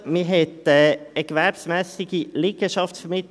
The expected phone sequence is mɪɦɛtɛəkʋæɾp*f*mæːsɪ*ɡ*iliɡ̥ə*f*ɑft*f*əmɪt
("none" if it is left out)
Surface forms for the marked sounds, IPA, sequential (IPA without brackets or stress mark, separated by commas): s, ɡ, ʃ, f